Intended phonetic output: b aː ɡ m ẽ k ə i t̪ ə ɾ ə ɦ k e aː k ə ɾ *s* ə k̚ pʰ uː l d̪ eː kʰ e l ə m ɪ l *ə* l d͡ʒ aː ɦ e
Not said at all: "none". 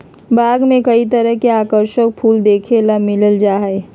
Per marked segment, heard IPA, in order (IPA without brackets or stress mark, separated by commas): ʃ, ə